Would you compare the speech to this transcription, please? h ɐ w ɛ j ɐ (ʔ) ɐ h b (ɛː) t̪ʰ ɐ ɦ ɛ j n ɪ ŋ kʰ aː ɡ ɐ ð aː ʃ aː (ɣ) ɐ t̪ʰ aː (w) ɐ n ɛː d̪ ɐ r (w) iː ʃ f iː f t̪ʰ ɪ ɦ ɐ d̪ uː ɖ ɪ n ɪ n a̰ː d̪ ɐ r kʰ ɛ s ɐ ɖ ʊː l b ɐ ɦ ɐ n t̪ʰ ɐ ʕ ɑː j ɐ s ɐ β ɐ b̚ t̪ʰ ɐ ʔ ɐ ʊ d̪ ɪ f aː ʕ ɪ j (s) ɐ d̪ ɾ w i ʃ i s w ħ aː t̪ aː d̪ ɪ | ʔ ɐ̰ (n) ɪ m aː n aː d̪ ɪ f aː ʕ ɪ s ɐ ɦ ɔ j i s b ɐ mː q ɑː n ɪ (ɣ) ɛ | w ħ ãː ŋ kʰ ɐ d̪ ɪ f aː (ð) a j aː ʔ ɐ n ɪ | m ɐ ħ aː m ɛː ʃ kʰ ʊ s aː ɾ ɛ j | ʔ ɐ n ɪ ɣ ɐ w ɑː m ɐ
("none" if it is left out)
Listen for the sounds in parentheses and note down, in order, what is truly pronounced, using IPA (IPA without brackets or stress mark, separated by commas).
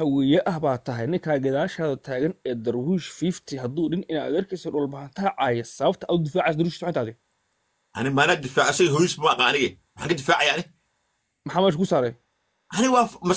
ʔ, aː, ð, ɣ, w, s, n, ɣ, ʕ